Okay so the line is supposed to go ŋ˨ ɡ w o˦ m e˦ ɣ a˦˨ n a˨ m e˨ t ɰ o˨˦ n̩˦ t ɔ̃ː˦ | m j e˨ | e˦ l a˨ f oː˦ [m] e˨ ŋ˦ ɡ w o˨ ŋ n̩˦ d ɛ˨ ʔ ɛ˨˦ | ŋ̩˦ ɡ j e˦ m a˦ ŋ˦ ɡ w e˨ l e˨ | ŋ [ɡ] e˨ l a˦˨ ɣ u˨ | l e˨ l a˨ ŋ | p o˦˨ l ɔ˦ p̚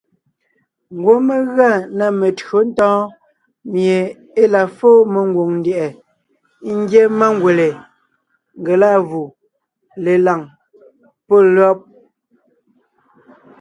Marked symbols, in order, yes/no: yes, yes

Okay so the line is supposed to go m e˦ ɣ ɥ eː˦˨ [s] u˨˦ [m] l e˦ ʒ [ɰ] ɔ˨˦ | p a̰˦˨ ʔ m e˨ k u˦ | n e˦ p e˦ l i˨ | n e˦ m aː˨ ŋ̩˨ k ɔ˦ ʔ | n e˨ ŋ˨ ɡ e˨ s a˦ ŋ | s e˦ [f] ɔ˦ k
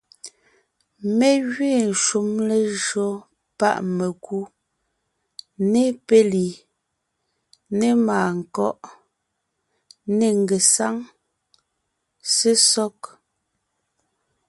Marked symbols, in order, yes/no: no, yes, yes, no

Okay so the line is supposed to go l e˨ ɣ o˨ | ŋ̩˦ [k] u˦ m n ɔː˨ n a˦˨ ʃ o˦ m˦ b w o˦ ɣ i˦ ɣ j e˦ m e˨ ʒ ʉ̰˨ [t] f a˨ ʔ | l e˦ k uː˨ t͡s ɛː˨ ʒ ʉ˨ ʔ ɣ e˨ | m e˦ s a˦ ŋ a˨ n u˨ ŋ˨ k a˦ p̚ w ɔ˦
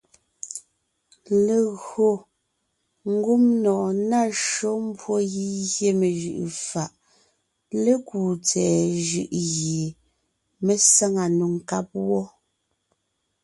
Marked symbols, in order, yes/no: no, no

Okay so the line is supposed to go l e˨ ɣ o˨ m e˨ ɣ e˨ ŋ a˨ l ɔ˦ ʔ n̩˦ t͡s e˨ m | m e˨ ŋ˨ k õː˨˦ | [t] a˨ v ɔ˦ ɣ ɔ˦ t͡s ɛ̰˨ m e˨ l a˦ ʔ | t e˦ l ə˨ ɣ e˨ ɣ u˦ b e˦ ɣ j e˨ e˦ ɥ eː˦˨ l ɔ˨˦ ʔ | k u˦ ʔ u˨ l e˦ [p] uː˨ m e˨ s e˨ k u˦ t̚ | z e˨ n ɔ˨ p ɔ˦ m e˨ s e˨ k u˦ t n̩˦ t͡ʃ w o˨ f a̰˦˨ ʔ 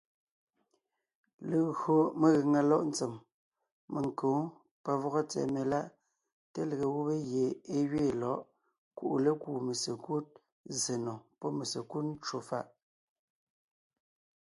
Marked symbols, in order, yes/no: no, no

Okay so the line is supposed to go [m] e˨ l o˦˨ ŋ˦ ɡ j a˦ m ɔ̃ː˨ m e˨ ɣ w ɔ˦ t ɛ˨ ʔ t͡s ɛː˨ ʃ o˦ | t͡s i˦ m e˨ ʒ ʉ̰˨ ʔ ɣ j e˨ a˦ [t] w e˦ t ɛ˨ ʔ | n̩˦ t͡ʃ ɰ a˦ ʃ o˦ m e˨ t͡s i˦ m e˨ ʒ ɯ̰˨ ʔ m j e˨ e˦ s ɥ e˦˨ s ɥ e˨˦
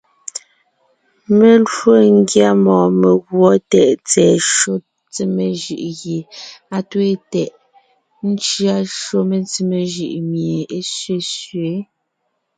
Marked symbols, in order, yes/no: yes, yes

